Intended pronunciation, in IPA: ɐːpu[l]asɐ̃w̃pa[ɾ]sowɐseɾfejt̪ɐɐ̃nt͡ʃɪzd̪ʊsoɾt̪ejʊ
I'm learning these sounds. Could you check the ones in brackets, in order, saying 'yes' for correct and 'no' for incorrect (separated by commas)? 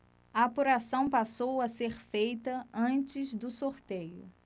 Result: no, no